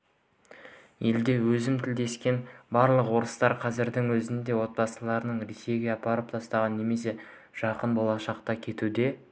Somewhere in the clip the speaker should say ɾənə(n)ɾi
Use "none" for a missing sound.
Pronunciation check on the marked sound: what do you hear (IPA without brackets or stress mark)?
ɴ